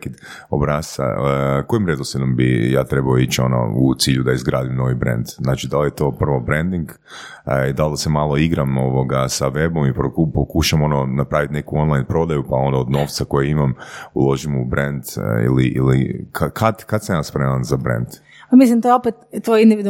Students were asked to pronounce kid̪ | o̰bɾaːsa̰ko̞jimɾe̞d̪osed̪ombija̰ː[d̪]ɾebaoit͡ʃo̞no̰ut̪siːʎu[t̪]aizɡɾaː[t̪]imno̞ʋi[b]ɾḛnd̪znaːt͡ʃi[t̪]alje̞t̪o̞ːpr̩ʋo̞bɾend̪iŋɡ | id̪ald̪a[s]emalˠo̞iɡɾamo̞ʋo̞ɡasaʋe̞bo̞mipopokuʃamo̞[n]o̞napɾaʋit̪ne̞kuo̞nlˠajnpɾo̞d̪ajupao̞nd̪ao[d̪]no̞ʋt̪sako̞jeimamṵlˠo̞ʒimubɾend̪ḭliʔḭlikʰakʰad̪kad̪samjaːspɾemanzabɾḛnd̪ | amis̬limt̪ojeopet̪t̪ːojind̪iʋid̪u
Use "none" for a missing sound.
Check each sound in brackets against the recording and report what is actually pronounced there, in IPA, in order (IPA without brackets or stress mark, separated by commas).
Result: t̪, d̪, d̪, b, d̪, s, n, d̪